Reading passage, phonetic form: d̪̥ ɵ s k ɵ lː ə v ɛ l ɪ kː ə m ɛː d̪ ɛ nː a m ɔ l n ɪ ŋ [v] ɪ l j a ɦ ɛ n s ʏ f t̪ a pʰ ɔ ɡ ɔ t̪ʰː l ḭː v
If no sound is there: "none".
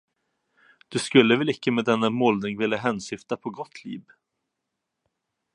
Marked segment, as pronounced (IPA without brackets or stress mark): v